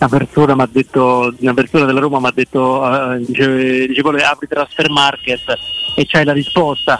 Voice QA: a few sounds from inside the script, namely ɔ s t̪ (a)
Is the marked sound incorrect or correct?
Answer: correct